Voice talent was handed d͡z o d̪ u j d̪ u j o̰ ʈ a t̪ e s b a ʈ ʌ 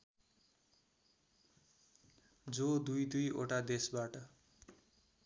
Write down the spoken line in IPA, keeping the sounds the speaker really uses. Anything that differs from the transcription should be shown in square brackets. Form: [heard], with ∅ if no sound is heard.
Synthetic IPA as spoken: d͡z o d̪ u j d̪ u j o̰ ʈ a [d̪] e s b a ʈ ʌ